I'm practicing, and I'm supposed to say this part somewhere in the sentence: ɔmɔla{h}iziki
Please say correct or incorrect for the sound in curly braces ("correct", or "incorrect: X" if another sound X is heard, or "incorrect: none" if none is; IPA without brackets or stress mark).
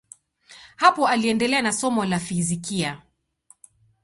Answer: incorrect: f